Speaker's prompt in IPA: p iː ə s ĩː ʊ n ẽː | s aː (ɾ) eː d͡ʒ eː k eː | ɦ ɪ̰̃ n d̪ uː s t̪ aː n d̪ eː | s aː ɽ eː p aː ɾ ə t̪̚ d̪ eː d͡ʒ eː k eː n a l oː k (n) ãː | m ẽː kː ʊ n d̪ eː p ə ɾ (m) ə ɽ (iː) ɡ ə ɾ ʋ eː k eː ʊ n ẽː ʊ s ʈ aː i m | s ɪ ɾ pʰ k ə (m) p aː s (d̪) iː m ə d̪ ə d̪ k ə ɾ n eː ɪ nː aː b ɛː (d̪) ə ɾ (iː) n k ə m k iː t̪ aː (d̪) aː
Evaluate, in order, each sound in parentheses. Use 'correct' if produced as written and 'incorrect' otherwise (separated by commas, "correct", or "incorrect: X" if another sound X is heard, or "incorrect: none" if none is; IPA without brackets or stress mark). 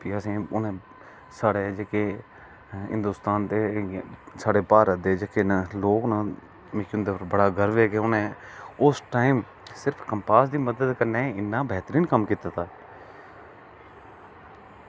incorrect: ɽ, correct, incorrect: b, incorrect: aː, correct, correct, incorrect: t̪, correct, incorrect: t̪